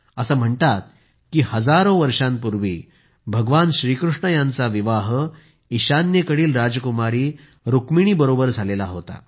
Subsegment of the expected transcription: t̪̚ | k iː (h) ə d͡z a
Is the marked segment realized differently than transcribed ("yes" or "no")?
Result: no